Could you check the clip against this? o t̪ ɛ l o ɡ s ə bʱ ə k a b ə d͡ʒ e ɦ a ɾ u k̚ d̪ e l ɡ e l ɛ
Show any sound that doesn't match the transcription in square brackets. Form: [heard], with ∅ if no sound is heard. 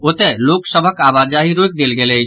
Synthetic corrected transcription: o t̪ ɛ l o [k] s ə bʱ ə k a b [a] d͡ʒ [a] ɦ [i] ɾ [o] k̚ d̪ e l ɡ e l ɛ